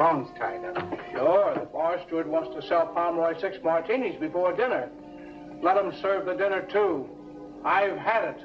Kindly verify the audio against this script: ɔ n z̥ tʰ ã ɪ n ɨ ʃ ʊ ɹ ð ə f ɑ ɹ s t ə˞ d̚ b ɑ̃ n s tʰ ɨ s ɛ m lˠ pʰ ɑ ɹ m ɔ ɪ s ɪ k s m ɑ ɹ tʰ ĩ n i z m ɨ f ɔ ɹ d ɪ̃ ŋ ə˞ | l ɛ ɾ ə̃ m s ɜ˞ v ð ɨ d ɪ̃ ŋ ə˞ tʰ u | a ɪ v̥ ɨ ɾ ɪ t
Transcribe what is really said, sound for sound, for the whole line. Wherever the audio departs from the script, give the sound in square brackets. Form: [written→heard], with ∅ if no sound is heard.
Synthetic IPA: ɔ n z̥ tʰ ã ɪ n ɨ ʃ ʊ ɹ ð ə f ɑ ɹ s t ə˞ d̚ [b→w] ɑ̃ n s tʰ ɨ s ɛ [m→∅] lˠ pʰ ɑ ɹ m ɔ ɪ s ɪ k s m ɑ ɹ tʰ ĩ n i z [m→b] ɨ f ɔ ɹ d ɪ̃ [ŋ→n] ə˞ | l ɛ ɾ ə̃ m s ɜ˞ v ð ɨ d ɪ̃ [ŋ→n] ə˞ tʰ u | a ɪ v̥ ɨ ɾ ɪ t